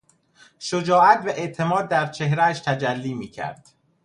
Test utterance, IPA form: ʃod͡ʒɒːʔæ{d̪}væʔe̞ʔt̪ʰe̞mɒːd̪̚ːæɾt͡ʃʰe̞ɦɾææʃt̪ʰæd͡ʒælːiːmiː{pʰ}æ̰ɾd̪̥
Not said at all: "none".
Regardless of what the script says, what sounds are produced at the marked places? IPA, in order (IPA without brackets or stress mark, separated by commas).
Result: t̪, cʰ